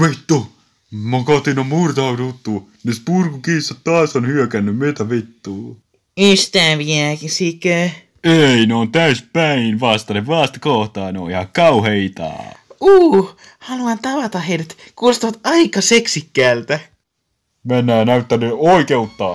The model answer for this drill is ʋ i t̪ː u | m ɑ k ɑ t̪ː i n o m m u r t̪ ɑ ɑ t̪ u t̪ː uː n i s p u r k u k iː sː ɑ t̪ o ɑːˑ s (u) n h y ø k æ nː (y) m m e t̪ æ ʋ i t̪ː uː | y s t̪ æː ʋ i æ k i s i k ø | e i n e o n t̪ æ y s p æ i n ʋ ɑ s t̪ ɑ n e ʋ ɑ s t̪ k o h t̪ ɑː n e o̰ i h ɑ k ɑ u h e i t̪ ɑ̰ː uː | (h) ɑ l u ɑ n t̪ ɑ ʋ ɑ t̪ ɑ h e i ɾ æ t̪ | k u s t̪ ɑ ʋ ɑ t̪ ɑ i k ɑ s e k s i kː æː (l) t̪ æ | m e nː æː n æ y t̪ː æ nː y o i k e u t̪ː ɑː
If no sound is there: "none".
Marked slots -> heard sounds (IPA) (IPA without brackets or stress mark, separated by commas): o, y, h, l